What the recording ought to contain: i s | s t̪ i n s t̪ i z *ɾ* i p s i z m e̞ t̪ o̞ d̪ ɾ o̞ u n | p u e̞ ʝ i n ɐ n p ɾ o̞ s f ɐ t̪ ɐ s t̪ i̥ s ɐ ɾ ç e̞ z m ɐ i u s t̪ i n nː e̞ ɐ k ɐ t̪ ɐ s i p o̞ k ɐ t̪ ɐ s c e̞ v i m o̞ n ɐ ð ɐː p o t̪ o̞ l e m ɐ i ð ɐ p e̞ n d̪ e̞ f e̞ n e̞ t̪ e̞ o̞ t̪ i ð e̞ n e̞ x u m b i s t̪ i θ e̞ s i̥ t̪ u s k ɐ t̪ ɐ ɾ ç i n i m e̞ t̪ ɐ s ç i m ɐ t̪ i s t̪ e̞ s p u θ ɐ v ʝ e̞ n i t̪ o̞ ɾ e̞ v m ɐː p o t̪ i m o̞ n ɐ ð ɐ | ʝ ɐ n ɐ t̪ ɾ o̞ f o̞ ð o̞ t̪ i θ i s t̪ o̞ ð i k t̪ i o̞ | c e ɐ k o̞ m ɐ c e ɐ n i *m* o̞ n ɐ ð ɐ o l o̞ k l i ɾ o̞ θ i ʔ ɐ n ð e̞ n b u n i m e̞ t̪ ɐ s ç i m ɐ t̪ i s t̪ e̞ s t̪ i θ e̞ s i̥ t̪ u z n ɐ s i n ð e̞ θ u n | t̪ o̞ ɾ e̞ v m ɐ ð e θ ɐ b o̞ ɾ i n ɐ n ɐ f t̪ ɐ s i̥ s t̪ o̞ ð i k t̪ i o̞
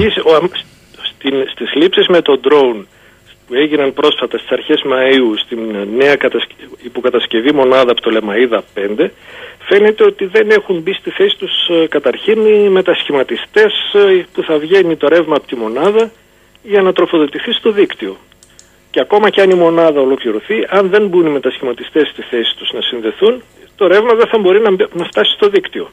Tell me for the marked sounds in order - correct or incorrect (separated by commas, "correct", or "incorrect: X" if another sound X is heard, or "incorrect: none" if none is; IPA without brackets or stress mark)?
incorrect: l, correct